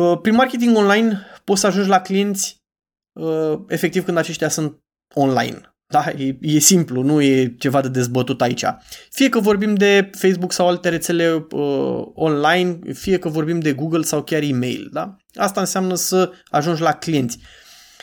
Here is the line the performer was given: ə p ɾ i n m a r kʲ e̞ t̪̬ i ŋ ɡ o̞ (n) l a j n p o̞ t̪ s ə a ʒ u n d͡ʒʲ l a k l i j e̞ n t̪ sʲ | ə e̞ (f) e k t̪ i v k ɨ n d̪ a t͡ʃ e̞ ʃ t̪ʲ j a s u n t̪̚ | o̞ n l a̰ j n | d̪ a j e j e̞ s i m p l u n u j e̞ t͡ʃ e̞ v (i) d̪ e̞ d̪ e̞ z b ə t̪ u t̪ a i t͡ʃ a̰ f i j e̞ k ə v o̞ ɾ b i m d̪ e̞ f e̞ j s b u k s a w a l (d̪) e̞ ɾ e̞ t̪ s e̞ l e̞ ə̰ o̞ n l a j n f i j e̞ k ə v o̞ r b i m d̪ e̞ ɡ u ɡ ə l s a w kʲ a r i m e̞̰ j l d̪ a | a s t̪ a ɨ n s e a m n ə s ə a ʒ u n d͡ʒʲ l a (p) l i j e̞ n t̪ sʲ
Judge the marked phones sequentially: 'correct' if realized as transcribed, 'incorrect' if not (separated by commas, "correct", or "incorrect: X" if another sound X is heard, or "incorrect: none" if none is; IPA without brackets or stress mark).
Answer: correct, correct, incorrect: a, incorrect: t̪, incorrect: k